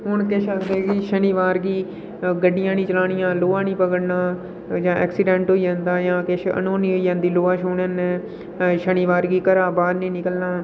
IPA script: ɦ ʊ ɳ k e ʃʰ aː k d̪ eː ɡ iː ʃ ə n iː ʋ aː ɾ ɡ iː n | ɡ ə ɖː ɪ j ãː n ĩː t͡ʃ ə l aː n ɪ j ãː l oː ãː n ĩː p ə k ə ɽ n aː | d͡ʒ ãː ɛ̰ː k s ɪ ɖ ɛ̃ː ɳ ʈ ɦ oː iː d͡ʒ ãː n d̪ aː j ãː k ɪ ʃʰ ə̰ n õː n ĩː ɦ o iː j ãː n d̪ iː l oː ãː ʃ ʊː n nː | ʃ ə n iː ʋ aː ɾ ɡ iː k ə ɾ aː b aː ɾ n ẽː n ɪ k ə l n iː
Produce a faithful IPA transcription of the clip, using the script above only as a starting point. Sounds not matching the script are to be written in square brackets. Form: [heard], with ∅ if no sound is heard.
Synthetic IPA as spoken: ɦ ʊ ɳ k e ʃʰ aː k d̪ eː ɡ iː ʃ ə n iː ʋ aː ɾ ɡ iː [∅] | ɡ ə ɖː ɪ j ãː n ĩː t͡ʃ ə l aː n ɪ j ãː l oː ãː n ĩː p ə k ə ɽ n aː | d͡ʒ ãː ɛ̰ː k s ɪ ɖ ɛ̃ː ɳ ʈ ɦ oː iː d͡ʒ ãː n d̪ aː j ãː k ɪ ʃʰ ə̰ n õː n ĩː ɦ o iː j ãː n d̪ iː l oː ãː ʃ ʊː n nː | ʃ ə n iː ʋ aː ɾ ɡ iː k ə ɾ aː b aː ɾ n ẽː n ɪ k ə l n [aː]